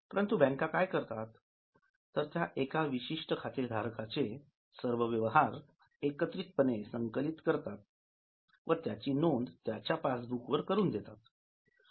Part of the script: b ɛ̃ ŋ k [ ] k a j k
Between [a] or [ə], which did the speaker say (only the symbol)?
a